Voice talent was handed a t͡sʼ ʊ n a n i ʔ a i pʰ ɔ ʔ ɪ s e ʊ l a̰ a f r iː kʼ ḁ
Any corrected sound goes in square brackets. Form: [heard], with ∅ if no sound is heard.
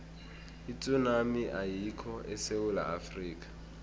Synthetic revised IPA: [i] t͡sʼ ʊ n a [m] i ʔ a i [kʰ] ɔ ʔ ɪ s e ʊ l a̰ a f r iː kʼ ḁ